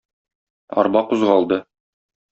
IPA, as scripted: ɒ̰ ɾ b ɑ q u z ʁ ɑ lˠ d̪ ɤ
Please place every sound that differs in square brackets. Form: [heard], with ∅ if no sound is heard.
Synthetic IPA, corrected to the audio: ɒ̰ ɾ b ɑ q u z ʁ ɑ lˠ d̪ ɤ